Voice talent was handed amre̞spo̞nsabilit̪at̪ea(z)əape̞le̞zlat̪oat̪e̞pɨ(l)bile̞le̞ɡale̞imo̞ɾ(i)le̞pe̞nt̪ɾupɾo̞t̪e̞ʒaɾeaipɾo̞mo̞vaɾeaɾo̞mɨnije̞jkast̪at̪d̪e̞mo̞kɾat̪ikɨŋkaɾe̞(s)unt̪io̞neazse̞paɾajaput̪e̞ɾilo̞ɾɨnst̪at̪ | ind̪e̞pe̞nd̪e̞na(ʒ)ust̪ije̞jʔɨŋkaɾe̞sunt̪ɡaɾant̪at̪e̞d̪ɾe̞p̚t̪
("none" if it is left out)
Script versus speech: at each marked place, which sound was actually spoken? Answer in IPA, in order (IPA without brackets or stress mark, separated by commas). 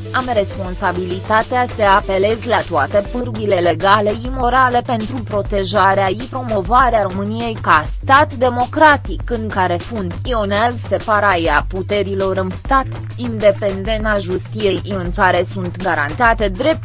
s, r, a, f, ʒ